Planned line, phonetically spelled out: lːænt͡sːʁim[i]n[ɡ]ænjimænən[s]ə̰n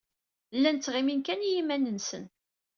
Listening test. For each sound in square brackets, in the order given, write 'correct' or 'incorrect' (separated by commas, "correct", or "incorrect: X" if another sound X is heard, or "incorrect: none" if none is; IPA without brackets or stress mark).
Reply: correct, incorrect: k, correct